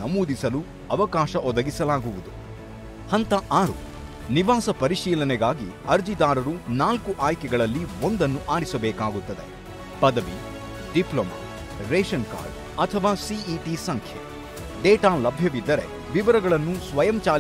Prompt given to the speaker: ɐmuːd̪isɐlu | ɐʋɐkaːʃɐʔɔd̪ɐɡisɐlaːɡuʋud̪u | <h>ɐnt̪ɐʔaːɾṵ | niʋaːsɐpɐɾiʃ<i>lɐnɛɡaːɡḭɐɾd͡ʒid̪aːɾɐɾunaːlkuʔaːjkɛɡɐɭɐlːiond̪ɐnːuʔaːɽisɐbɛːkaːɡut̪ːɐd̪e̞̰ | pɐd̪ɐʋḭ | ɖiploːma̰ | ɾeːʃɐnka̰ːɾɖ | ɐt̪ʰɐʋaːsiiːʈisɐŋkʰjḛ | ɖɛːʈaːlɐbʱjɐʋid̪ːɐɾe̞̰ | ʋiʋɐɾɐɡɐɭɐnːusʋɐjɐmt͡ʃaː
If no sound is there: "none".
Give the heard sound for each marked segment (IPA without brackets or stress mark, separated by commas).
h, iː